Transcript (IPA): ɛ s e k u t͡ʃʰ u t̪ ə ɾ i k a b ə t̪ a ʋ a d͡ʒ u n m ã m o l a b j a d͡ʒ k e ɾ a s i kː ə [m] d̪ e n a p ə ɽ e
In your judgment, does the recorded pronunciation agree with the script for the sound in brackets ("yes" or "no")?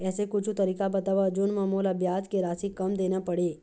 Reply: yes